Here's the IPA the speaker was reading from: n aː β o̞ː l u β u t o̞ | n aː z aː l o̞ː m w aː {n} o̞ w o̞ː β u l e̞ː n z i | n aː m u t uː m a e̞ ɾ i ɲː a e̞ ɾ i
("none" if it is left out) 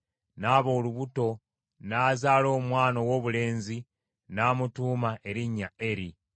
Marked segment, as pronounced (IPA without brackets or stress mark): n